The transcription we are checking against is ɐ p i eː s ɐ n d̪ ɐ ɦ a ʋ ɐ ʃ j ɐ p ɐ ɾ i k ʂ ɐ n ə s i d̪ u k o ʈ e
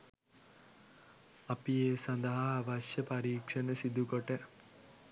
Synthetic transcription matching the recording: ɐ p i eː s ɐ n d̪ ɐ ɦ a ʋ ɐ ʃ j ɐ p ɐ ɾ iː k ʂ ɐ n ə s i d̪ u k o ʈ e